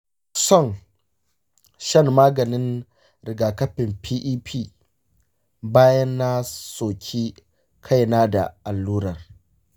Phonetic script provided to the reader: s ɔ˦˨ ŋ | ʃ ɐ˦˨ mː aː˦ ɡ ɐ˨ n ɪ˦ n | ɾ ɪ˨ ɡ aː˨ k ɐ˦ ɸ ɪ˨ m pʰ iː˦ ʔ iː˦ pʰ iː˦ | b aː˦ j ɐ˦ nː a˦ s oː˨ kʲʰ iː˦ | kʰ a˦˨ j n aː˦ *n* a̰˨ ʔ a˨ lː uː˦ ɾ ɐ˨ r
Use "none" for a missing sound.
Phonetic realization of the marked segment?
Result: d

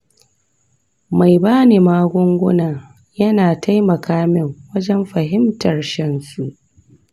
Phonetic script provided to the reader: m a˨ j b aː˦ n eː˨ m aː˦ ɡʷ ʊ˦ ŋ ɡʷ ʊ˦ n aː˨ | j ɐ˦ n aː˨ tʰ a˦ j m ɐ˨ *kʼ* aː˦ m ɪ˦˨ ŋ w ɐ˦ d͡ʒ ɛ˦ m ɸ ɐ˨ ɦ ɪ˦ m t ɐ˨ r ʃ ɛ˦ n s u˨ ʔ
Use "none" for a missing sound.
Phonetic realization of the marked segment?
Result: k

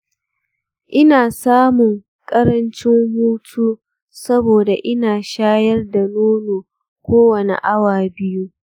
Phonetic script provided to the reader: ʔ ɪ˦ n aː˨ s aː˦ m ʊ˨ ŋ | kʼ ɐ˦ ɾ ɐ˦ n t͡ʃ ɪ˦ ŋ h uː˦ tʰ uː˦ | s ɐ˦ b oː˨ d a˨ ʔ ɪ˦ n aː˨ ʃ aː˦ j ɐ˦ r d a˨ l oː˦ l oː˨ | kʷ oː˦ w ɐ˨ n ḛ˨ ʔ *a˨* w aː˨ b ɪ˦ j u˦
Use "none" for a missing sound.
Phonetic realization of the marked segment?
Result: a˦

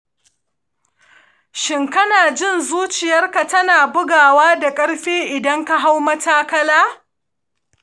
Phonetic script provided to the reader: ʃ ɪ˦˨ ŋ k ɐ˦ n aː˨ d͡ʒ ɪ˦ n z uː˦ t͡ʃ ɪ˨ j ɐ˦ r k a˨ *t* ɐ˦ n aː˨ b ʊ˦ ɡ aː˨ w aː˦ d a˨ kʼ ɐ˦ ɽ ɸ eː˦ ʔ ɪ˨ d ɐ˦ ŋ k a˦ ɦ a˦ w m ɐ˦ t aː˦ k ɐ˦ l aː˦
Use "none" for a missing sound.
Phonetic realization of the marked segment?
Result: t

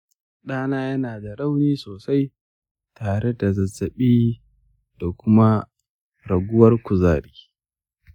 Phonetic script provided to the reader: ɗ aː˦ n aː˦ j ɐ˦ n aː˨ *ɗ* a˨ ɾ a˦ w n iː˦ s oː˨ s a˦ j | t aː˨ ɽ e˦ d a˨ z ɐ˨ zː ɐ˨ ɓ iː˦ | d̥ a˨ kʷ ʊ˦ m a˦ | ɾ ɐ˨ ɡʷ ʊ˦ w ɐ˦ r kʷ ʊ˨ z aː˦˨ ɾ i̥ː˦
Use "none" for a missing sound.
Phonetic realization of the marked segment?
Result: d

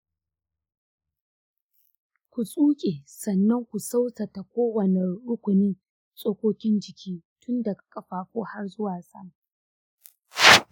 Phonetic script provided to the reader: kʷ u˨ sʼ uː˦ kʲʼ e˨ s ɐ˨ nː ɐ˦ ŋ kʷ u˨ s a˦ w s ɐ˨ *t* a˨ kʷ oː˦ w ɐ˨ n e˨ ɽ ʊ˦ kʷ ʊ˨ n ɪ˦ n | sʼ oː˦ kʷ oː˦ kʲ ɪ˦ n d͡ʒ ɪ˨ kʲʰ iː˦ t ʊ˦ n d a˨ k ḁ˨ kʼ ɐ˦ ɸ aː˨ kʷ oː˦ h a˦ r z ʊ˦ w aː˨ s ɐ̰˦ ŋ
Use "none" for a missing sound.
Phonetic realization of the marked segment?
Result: t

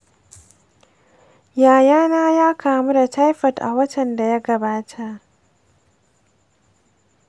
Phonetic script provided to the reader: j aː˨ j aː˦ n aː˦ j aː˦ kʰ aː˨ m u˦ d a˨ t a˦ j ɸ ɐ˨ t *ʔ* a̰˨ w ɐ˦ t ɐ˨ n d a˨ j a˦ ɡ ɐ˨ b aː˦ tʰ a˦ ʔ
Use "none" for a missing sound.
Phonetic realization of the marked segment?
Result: ʔ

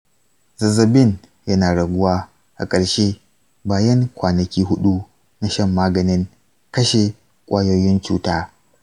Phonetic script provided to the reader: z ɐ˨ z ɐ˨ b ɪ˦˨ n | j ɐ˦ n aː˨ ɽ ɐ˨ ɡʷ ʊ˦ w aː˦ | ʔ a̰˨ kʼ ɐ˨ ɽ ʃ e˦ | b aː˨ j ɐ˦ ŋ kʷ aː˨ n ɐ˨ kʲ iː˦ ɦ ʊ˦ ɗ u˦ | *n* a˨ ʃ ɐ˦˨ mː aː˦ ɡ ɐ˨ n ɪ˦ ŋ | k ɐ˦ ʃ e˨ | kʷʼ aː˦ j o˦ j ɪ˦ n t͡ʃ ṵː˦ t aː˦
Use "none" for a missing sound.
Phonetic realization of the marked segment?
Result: n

